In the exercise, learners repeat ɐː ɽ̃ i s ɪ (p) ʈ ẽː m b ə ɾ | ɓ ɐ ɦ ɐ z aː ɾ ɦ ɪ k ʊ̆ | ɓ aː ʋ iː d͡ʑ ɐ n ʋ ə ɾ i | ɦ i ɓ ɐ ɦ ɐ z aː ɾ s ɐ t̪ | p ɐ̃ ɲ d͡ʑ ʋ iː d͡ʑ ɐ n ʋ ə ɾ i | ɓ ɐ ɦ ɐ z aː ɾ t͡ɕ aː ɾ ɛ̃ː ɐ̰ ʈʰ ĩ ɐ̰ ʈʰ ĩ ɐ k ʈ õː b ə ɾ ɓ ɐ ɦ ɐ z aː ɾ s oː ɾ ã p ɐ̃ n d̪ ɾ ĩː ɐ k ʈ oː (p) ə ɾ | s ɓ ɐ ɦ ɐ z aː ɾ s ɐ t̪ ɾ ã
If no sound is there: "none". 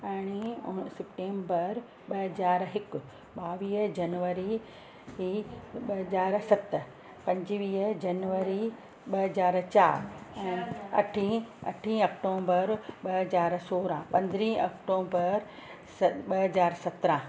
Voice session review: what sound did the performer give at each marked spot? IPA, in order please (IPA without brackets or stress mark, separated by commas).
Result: p, b